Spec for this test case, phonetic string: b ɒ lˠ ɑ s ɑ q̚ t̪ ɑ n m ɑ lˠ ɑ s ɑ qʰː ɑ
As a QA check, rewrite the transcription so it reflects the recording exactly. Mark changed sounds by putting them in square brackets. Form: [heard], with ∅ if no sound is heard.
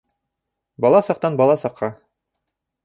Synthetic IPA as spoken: b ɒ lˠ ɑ s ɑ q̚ t̪ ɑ n [b] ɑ lˠ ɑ s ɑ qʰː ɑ